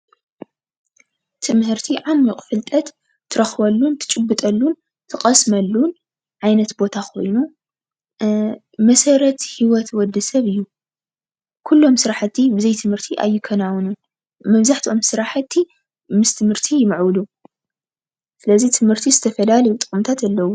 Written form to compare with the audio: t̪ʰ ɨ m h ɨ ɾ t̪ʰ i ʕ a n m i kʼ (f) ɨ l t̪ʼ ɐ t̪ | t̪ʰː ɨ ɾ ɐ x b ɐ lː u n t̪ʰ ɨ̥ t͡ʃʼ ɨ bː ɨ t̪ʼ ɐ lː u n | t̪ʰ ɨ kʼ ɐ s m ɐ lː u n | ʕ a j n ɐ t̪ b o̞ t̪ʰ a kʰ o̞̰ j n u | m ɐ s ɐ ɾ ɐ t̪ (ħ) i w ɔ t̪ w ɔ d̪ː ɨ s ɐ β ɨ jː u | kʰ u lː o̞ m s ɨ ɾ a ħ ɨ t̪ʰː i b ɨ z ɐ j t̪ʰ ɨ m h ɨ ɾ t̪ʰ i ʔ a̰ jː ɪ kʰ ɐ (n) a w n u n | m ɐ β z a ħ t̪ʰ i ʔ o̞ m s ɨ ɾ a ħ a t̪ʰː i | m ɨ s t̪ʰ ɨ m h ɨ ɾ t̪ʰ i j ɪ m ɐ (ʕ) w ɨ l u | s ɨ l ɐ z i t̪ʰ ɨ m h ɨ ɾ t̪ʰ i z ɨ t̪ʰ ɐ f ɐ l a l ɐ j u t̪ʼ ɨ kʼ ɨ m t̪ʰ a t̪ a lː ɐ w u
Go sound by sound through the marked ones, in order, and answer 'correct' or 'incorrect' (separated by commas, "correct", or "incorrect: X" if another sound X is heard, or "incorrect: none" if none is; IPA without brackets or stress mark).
correct, incorrect: h, correct, correct